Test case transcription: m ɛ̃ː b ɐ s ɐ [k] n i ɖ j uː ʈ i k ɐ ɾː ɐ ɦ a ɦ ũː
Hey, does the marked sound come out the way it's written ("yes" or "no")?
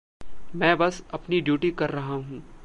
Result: no